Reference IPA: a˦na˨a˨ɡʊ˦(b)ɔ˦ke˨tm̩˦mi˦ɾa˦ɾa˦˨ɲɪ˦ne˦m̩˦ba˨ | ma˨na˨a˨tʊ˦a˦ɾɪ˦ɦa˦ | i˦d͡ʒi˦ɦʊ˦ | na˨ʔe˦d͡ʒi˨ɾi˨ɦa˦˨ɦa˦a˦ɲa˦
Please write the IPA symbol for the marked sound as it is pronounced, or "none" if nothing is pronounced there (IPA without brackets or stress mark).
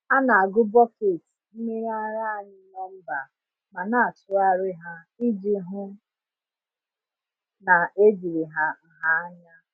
b